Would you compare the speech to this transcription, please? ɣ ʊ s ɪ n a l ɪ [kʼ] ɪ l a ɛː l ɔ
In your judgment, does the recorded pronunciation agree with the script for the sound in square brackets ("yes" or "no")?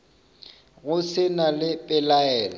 no